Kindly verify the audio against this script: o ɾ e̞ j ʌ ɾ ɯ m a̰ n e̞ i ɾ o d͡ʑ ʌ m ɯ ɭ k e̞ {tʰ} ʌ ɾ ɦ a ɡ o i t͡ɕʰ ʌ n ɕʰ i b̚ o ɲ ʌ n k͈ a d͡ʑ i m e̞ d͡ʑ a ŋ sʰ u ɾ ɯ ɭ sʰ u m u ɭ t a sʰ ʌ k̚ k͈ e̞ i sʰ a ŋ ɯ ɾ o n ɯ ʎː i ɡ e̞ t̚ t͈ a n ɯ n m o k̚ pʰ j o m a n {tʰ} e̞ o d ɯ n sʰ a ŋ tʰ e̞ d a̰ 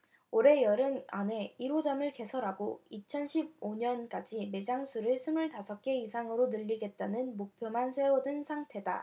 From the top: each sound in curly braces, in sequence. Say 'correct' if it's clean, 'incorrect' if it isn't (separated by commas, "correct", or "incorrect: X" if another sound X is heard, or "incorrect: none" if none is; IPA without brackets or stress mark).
incorrect: sʰ, incorrect: sʰ